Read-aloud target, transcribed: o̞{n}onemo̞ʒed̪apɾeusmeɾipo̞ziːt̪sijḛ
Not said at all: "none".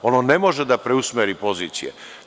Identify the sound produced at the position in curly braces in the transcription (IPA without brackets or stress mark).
n